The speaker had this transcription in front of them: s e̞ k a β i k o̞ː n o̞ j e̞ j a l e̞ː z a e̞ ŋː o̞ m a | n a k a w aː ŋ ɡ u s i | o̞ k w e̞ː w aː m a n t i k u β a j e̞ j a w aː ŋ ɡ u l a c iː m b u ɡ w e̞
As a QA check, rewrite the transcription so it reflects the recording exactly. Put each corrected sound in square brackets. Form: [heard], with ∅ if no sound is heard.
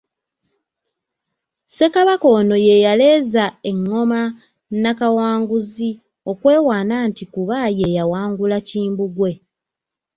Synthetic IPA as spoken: s e̞ k a β [a] k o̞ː n o̞ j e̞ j a l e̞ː z a e̞ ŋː o̞ m a | n a k a w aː ŋ ɡ u [z] i | o̞ k w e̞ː w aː [n] a n t i k u β a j e̞ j a w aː ŋ ɡ u l a c iː m b u ɡ w e̞